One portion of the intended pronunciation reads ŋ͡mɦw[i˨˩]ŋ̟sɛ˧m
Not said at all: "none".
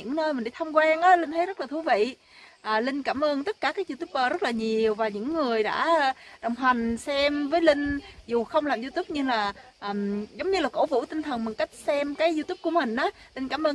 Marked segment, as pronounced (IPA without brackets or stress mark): a˨˩